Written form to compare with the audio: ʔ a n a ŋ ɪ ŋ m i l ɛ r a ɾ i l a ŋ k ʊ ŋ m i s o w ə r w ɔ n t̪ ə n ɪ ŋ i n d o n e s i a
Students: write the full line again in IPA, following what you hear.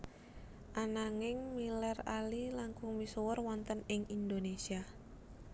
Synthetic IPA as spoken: ʔ a n a ŋ ɪ ŋ m i l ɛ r a l i l a ŋ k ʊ ŋ m i s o w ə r w ɔ n t̪ ə n ɪ ŋ i n d o n e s i a